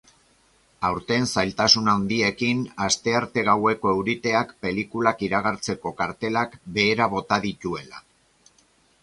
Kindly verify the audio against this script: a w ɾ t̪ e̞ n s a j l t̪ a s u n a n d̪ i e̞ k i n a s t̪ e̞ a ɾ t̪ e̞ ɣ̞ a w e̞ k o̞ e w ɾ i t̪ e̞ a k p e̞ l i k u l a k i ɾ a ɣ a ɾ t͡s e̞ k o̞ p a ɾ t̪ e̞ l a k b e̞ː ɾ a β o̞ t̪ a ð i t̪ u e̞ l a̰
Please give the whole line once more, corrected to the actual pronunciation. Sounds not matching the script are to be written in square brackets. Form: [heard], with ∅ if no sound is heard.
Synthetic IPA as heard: a w ɾ t̪ e̞ n s a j l t̪ a s u n a n d̪ i e̞ k i n a s t̪ e̞ a ɾ t̪ e̞ ɣ̞ a w e̞ k o̞ e w ɾ i t̪ e̞ a k p e̞ l i k u l a k i ɾ a ɣ a ɾ t͡s e̞ k o̞ [k] a ɾ t̪ e̞ l a k b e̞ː ɾ a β o̞ t̪ a ð i t̪ u e̞ l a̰